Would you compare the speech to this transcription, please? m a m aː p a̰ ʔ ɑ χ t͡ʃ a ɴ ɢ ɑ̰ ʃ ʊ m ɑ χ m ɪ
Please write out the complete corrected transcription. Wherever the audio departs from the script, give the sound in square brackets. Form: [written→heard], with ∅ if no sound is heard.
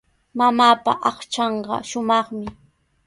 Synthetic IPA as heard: m a m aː p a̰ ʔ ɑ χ t͡ʃ [a→ɑ] ɴ ɢ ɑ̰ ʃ ʊ m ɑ χ m ɪ

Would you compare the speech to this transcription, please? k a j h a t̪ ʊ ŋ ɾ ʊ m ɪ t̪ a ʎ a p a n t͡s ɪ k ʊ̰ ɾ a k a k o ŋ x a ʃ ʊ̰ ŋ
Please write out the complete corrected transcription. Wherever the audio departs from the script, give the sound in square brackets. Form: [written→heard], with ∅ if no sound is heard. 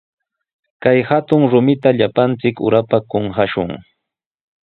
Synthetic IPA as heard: k a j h a t̪ ʊ ŋ ɾ ʊ m ɪ t̪ a ʎ a p a n t͡s ɪ k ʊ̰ ɾ a [k→p] a k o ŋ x a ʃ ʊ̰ ŋ

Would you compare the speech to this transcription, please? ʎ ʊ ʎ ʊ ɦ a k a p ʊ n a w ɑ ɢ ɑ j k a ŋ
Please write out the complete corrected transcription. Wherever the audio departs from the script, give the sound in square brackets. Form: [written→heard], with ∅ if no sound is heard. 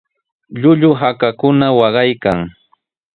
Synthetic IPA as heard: ʎ ʊ ʎ ʊ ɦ a k a [p→k] ʊ n a w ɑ ɢ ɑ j k a ŋ

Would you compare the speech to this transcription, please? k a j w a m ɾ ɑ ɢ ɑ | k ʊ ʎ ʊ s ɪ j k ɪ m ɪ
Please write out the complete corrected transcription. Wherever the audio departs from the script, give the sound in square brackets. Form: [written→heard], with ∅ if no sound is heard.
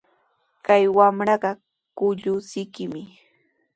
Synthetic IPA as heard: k a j w a m ɾ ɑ ɢ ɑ | k ʊ ʎ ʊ s ɪ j k ɪ m ɪ

